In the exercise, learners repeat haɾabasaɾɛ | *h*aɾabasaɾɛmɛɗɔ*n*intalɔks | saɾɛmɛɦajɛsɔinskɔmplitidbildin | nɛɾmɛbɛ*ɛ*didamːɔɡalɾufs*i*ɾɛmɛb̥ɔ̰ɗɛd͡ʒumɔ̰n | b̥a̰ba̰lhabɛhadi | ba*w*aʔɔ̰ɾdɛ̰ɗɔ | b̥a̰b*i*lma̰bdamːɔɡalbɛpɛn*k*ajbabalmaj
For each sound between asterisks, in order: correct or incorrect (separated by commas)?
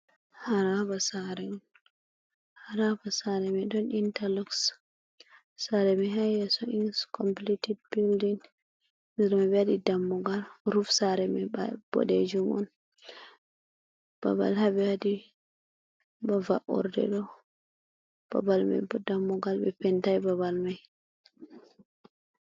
correct, correct, incorrect, incorrect, incorrect, incorrect, incorrect